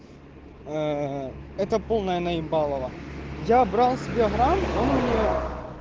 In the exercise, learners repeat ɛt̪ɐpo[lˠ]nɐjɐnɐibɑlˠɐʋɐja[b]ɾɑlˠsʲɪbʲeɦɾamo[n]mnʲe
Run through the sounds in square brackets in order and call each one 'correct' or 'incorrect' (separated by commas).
correct, correct, correct